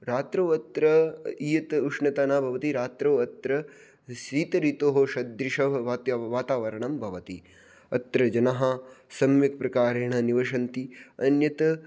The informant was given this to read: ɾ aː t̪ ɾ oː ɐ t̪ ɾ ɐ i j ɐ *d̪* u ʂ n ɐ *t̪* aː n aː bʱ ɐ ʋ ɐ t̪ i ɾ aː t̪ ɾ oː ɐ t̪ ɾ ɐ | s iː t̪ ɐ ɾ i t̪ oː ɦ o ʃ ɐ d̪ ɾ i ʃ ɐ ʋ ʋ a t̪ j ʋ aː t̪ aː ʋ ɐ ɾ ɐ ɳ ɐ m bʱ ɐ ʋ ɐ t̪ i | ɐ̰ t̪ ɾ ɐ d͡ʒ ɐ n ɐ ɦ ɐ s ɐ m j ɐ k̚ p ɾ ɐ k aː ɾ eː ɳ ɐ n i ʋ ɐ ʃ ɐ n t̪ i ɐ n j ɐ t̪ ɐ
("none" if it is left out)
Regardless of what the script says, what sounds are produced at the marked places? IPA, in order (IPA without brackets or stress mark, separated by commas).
t̪, t̪